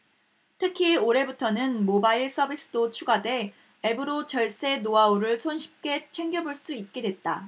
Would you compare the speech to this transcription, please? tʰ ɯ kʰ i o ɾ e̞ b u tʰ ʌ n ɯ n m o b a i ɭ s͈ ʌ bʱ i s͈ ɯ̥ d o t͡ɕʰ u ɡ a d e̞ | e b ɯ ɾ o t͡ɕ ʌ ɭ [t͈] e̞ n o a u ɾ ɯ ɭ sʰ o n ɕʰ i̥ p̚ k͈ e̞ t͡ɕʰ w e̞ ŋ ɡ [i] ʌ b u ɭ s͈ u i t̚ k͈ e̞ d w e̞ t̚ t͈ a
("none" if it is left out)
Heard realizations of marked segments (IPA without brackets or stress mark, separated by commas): s͈, j